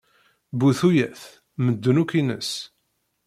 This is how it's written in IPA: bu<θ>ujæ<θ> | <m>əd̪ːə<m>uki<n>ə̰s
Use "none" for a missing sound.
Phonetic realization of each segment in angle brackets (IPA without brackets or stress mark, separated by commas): θ, θ, m, n, n